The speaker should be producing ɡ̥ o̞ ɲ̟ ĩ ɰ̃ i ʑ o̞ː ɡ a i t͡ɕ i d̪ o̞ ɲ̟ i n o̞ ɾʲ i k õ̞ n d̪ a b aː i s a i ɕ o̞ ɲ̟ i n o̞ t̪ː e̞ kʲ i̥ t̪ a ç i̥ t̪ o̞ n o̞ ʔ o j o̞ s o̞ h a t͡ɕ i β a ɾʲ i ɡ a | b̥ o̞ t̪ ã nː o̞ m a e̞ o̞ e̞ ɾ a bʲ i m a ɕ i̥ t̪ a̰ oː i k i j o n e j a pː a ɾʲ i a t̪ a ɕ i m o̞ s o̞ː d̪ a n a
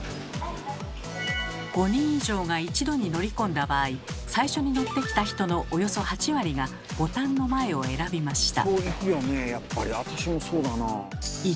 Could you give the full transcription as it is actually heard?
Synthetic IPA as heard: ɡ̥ o̞ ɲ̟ ĩ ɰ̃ i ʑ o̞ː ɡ a i t͡ɕ i d̪ o̞ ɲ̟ i n o̞ ɾʲ i k õ̞ n d̪ a b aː i s a i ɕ o̞ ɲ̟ i n o̞ t̪ː e̞ kʲ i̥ t̪ a ç i̥ t̪ o̞ n o̞ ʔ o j o̞ s o̞ h a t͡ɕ i β a ɾʲ i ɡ a | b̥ o̞ t̪ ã nː o̞ m a e̞ o̞ e̞ ɾ a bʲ i m a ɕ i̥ t̪ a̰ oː i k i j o n e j a pː a ɾʲ i a t̪ a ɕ i m o̞ s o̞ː d̪ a n a